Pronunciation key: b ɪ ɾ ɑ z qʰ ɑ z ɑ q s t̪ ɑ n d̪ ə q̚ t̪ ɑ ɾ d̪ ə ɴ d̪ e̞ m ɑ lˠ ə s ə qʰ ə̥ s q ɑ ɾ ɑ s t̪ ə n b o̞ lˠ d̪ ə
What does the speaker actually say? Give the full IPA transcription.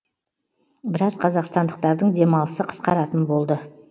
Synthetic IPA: b ɪ ɾ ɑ z qʰ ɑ z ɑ q s t̪ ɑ n d̪ ə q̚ t̪ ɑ ɾ d̪ ə ɴ d̪ e̞ m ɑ lˠ ə s ə qʰ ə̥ s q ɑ ɾ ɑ t̪ ə n b o̞ lˠ d̪ ə